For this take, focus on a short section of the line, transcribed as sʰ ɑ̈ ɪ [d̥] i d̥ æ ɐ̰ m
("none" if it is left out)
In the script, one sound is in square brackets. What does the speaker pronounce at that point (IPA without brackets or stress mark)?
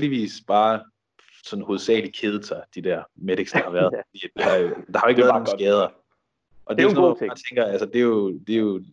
d̥